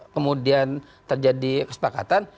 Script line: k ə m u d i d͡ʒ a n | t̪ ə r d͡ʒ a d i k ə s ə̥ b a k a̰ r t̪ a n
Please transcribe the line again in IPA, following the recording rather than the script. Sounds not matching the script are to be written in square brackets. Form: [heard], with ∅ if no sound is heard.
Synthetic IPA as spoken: k ə m u d i [∅] a n | t̪ ə r d͡ʒ a d i k ə s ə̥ [p] a k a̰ [∅] t̪ a n